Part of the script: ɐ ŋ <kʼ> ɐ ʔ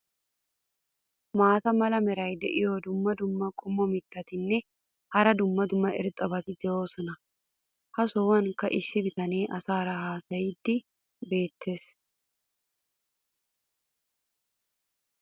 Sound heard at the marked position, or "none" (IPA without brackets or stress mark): k